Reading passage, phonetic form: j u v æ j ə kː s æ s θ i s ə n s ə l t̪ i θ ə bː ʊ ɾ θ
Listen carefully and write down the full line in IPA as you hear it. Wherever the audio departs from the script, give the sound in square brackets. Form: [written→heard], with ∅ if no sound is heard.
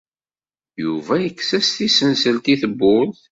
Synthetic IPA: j u v æ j ə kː s æ s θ i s ə n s ə l t̪ i θ ə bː ʊ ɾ θ

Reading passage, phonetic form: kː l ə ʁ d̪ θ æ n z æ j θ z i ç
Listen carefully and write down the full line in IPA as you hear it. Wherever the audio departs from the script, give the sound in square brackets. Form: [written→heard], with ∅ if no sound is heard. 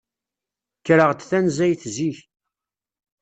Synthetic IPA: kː [l→ɾ] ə ʁ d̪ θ æ n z æ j θ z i ç

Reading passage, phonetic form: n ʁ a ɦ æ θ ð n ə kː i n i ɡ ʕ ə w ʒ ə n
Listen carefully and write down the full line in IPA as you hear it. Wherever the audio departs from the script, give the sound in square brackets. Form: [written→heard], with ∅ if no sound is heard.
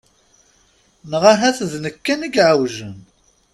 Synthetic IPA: n ʁ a ɦ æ θ ð n ə kː [i→æ] n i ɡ ʕ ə w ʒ ə n

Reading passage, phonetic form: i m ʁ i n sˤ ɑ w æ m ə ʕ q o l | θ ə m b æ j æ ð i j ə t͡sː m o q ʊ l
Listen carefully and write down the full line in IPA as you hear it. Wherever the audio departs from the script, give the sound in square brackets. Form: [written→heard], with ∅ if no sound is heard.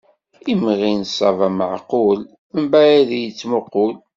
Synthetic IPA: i m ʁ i n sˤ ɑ [w→v] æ m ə ʕ q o l | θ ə m b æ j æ ð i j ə t͡sː m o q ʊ l

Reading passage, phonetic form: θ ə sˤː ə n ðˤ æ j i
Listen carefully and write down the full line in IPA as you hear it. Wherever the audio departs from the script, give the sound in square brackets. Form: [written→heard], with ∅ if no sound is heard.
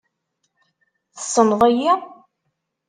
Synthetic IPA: θ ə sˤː ə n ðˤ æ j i

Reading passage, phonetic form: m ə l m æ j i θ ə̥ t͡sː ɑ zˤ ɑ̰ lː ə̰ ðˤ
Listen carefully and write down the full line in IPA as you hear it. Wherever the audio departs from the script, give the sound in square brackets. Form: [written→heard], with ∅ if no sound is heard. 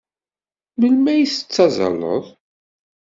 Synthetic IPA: m ə l m æ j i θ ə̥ t͡sː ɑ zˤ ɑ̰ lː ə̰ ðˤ

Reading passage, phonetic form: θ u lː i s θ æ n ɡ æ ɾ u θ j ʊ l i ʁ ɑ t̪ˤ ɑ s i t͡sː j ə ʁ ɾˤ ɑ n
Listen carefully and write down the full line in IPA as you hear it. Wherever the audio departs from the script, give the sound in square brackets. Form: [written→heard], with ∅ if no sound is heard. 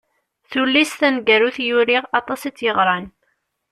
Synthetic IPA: θ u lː i s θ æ n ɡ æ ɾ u θ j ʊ [l→ɾ] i ʁ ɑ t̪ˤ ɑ s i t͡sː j ə ʁ ɾˤ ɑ n

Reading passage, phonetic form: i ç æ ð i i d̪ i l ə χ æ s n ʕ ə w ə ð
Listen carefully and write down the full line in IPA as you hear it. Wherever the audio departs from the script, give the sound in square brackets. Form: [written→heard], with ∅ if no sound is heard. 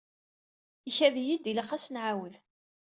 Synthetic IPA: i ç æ ð [i→j] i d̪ i l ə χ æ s n ʕ [ə→a] w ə ð

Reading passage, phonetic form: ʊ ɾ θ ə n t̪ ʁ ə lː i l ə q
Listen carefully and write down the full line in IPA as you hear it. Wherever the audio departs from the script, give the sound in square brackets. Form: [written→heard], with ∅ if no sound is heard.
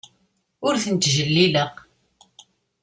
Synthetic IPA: ʊ ɾ θ ə n t̪ [ʁ→ʒ] ə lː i l ə q

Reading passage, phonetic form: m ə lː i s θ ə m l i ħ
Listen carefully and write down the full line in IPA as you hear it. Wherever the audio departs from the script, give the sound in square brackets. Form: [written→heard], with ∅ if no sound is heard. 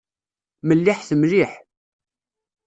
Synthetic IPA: m ə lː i [s→ħ] θ ə m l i ħ

